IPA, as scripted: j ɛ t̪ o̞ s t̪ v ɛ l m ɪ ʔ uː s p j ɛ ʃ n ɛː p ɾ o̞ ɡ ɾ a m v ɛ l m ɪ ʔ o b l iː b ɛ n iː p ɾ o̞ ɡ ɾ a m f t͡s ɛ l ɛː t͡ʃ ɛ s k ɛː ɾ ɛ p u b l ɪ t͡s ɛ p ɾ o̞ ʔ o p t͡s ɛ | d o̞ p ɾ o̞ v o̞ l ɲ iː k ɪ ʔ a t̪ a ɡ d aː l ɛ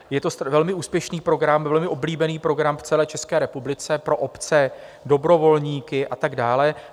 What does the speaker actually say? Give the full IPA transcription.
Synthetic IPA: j ɛ t̪ o̞ s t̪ v ɛ l m ɪ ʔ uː s p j ɛ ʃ n iː p ɾ o̞ ɡ ɾ a m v ɛ l m ɪ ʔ o b l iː b ɛ n iː p ɾ o̞ ɡ ɾ a m f t͡s ɛ l ɛː t͡ʃ ɛ s k ɛː ɾ ɛ p u b l ɪ t͡s ɛ p ɾ o̞ ʔ o p t͡s ɛ | d o̞ b ɾ o̞ v o̞ l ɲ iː k ɪ ʔ a t̪ a ɡ d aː l ɛ